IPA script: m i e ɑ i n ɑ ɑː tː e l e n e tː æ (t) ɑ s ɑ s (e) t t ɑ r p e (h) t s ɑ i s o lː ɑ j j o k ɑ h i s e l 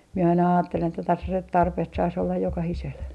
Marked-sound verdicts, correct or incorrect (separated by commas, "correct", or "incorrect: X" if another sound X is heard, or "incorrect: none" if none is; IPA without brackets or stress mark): correct, correct, correct